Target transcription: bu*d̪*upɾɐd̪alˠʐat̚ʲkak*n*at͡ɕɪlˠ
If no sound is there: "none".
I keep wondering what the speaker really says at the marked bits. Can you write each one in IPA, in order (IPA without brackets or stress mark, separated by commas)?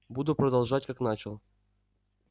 d̪, n